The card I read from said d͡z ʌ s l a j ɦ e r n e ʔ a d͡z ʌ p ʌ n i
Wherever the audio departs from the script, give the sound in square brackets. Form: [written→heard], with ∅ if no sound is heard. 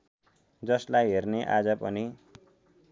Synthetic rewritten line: d͡z ʌ s l a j ɦ e r n e ʔ a d͡z ʌ p ʌ n i

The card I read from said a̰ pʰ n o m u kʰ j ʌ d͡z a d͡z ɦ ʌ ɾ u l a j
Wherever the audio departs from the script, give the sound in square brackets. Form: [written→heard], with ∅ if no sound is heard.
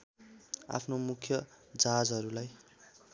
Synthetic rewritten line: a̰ pʰ n o m u kʰ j ʌ d͡z a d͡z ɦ ʌ ɾ u l a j

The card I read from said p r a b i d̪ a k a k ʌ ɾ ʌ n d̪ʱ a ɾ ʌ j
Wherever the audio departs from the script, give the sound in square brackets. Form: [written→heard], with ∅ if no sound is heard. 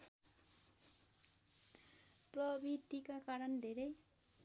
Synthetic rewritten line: p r [a→ʌ] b i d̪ [a→i] k a k [ʌ→a] ɾ ʌ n d̪ʱ [a→e] ɾ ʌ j

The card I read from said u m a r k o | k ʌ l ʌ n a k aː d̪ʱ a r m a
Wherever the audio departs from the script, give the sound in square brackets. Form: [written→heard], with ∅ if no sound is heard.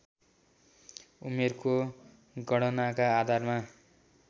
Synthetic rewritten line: u m [a→e] r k o | [k→ɡ] ʌ [l→ɽ] ʌ n a k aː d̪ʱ a r m a

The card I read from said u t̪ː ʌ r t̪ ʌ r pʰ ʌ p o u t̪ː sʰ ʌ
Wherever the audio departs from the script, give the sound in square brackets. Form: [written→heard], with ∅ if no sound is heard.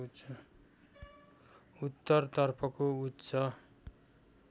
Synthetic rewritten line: u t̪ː ʌ r t̪ ʌ r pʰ ʌ [p→k] o u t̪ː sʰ ʌ

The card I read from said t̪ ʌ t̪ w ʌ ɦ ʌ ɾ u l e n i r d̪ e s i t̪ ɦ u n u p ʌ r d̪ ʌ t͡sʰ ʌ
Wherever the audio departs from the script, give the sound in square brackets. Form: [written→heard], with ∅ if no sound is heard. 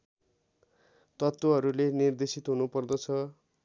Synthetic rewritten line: t̪ ʌ t̪ w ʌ ɦ ʌ ɾ u l e n i r d̪ e s i t̪ ɦ u n u p ʌ r d̪ ʌ t͡sʰ ʌ

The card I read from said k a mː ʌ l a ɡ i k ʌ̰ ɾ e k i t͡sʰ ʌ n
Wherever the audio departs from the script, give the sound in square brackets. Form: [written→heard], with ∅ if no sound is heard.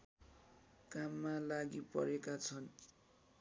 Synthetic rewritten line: k a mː [ʌ→a] l a ɡ i [k→p] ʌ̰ ɾ e k [i→a] t͡sʰ ʌ n

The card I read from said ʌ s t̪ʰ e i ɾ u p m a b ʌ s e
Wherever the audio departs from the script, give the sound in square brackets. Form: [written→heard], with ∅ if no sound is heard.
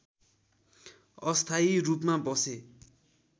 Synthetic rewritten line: ʌ s t̪ʰ [e→a] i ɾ u p m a b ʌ s e

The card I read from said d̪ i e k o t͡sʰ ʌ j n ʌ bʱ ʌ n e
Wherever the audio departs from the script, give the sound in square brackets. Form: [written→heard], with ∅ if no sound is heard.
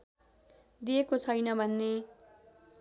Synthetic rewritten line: d̪ i e k o t͡sʰ ʌ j n ʌ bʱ ʌ [n→nː] e

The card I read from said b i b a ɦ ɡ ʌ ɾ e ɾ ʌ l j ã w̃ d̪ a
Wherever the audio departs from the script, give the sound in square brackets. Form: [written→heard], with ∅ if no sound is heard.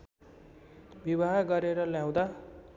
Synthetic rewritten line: b i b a ɦ ɡ ʌ ɾ e ɾ ʌ l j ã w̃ d̪ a

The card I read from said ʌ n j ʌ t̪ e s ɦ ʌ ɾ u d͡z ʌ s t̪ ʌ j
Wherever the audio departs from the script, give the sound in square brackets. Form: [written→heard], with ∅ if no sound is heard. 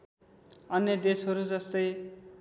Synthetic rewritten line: ʌ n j ʌ [t̪→d̪] e s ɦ ʌ ɾ u d͡z ʌ s t̪ ʌ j

